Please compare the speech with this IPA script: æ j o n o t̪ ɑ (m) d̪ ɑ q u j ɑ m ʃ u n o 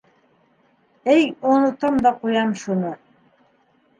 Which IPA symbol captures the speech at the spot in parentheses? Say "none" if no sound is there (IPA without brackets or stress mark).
m